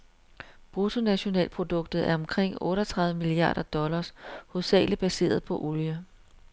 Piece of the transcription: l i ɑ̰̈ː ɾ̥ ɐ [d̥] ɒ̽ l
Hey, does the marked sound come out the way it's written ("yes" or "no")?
yes